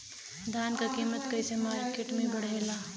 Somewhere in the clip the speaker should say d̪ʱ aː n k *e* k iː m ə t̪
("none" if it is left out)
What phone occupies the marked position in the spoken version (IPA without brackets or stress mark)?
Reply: a